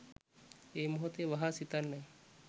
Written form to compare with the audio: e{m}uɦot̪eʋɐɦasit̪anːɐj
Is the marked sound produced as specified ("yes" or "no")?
yes